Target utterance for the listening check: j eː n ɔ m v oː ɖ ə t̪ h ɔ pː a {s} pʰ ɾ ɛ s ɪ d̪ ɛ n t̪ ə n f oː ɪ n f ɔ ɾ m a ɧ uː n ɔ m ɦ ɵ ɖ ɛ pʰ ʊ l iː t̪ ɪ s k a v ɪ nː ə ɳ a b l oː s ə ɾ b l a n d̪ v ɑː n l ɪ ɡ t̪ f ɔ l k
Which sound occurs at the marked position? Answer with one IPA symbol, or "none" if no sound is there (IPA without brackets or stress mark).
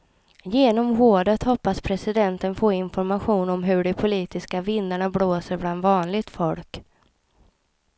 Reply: s